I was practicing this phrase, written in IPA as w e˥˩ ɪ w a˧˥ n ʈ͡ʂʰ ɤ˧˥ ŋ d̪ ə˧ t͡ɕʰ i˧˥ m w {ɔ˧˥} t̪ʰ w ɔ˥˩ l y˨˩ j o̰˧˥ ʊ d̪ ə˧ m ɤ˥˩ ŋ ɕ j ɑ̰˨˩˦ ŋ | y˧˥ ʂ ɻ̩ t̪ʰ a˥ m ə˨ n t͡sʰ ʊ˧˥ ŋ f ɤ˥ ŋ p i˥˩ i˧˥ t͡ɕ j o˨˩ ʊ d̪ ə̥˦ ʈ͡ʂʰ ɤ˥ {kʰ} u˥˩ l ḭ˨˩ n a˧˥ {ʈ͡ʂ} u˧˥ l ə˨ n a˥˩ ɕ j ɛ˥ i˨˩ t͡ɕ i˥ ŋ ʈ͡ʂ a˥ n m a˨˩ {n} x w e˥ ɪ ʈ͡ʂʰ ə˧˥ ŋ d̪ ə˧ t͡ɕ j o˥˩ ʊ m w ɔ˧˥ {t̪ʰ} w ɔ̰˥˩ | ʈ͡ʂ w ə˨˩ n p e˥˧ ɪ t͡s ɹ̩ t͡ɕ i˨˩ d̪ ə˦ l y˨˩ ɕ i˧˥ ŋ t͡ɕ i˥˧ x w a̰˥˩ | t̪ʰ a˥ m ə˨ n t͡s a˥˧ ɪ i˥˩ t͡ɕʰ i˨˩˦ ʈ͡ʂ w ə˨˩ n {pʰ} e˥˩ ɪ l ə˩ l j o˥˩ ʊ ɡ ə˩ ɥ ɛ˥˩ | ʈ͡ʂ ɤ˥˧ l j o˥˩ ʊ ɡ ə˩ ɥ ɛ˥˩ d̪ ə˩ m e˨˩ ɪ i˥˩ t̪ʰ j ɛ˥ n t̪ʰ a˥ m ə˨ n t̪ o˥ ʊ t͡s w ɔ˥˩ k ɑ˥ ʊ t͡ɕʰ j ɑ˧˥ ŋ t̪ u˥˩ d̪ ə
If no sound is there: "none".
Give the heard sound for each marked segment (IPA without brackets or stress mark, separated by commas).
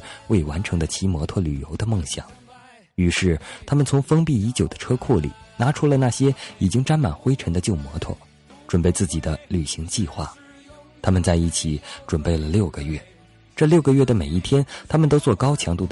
ɔ˧˥, kʰ, ʈ͡ʂʰ, n, t̪ʰ, p